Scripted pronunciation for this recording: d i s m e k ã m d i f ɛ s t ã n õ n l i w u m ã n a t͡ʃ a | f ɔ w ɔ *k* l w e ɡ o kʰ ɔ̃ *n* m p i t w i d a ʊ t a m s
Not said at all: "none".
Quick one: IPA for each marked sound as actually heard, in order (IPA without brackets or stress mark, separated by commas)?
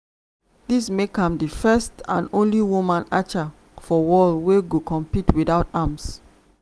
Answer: none, none